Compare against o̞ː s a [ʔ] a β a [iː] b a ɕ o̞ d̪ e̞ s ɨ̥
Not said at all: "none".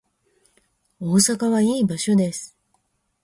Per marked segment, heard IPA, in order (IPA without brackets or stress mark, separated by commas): k, iː